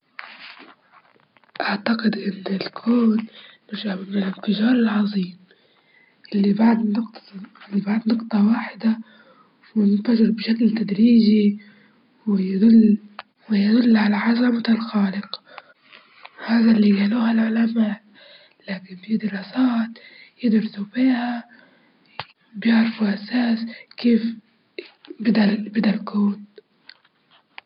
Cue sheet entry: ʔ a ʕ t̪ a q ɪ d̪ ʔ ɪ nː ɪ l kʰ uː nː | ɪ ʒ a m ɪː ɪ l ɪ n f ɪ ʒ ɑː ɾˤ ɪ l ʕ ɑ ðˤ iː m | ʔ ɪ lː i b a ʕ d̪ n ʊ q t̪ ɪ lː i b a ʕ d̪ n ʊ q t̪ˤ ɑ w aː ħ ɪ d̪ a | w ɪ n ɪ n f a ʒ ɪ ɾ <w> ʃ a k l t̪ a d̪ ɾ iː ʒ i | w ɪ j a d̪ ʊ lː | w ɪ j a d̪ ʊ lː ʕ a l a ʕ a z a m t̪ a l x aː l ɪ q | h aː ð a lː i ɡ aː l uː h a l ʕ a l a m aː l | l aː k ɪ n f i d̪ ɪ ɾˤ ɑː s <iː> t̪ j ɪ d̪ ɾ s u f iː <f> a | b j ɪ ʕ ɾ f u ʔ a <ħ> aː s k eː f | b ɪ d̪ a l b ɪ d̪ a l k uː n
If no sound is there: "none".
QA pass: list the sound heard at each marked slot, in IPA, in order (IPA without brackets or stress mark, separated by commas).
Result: b, aː, h, s